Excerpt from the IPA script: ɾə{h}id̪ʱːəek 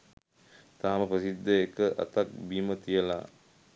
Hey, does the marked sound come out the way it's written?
no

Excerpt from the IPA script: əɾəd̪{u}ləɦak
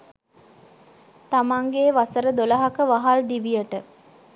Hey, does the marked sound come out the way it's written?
no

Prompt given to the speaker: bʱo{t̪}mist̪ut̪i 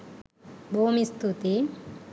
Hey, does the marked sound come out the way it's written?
no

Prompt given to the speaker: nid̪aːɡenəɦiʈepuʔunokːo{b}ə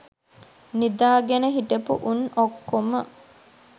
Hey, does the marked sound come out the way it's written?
no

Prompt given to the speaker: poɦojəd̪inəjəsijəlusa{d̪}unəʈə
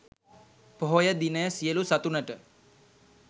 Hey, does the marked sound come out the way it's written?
no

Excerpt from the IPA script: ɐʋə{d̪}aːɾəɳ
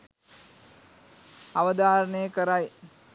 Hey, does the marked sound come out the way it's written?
yes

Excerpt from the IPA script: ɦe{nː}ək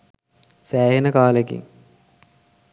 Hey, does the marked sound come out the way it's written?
no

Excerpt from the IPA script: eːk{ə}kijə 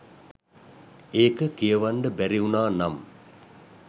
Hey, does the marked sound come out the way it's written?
yes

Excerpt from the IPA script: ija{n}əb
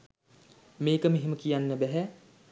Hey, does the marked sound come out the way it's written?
no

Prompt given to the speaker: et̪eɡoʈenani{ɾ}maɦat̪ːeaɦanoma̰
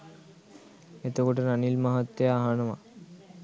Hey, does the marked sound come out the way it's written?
no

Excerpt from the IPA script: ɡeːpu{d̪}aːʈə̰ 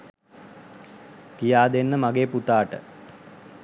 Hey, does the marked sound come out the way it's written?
no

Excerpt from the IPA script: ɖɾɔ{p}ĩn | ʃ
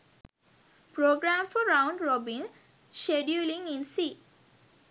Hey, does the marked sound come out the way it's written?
no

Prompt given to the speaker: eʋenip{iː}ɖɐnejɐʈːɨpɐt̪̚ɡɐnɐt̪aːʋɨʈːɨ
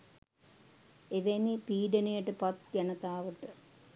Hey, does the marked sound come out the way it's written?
yes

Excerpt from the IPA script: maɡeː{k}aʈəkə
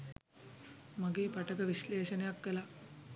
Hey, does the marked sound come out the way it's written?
no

